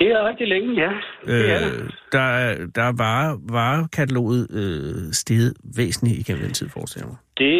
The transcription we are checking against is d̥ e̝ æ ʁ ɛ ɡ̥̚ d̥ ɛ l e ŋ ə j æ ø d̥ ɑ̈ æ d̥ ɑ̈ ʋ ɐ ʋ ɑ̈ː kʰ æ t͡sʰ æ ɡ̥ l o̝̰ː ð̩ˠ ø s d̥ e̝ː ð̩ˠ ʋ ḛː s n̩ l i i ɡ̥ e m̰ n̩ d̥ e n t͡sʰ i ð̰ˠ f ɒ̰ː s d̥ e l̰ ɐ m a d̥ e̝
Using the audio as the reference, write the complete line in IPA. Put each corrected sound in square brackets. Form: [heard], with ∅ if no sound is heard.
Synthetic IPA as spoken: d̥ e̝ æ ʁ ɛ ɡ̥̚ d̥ [i] l e ŋ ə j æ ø d̥ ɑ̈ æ d̥ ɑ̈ ʋ [ɑ] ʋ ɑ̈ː kʰ æ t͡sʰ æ [∅] l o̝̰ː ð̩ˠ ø s d̥ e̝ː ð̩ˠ ʋ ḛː s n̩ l i i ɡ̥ e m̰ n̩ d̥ e n t͡sʰ i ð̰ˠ f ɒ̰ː s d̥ e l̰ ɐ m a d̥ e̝